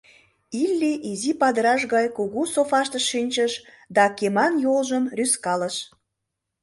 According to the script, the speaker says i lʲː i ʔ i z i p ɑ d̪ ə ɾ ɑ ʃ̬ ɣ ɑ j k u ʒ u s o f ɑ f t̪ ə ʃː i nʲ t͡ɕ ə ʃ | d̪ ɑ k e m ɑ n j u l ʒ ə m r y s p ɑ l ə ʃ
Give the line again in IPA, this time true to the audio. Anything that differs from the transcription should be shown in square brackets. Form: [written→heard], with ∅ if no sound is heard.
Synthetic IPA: i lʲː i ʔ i z i p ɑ d̪ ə ɾ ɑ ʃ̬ ɣ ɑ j k u [ʒ→ɣ] u s o f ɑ [f→ʃ] t̪ ə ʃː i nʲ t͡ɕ ə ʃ | d̪ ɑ k e m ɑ n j [u→o] l ʒ ə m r y s [p→k] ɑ l ə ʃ